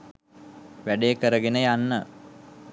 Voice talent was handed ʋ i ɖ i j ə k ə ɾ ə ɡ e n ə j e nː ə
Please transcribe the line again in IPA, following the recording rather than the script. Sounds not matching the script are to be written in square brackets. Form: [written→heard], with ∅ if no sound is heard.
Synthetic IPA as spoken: ʋ [i→æ] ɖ [i→e] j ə k ə ɾ ə ɡ e n ə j [e→a] nː ə

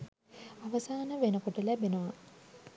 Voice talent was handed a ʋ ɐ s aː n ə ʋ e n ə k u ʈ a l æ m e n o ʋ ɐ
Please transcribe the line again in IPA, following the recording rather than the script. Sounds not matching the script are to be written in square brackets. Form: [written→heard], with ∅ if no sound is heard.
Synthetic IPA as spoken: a ʋ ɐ s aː n ə ʋ e n ə k [u→o] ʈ [a→ə] l æ [m→b] e n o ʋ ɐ

